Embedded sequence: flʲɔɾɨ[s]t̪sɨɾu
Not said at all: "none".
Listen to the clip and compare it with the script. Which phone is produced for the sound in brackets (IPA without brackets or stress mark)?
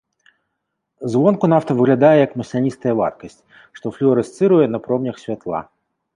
s